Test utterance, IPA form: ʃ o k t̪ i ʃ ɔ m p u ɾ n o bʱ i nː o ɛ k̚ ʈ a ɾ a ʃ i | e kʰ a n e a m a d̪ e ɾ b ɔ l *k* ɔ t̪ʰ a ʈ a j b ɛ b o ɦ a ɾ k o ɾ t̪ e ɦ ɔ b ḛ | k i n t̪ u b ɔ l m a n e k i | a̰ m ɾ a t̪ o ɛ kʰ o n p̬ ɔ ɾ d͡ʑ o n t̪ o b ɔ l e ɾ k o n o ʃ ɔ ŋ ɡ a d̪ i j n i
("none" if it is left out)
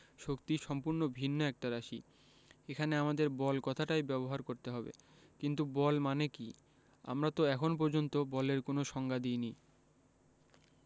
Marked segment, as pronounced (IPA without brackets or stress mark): k